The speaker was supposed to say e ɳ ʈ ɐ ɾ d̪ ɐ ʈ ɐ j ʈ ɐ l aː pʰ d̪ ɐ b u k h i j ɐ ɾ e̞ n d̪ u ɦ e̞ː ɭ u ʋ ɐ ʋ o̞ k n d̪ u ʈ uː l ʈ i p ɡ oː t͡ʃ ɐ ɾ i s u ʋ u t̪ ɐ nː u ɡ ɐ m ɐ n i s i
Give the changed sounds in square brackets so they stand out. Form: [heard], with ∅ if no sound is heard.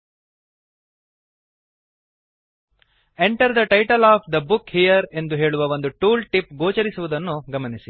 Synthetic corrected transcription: e ɳ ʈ ɐ ɾ d̪ ɐ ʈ ɐ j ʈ ɐ l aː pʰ d̪ ɐ b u k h i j ɐ ɾ e̞ n d̪ u ɦ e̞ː ɭ u ʋ ɐ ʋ o̞ [∅] n d̪ u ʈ uː l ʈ i p ɡ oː t͡ʃ ɐ ɾ i s u ʋ u [d̪] ɐ nː u ɡ ɐ m ɐ n i s i